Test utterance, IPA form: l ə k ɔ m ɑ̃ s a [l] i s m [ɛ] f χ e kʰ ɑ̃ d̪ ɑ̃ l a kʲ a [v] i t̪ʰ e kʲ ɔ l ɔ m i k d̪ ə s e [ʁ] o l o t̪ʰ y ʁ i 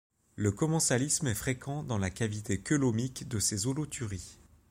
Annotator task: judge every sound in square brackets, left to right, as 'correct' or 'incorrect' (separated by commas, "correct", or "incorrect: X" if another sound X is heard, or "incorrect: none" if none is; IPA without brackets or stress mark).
correct, correct, correct, incorrect: z